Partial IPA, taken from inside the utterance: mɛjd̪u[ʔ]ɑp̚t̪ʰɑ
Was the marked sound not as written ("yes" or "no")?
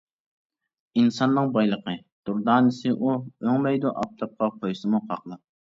no